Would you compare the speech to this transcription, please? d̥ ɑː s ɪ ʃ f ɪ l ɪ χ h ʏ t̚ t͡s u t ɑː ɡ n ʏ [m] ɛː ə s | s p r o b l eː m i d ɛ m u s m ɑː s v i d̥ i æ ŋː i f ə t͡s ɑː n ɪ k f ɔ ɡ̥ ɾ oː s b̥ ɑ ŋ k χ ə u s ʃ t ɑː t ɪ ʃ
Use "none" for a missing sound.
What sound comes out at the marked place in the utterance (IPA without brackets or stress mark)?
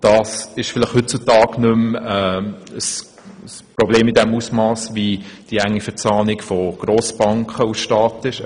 m